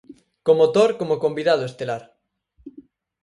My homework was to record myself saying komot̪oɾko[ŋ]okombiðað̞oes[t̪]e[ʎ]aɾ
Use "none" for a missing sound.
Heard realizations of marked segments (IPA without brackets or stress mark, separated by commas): m, t̪, l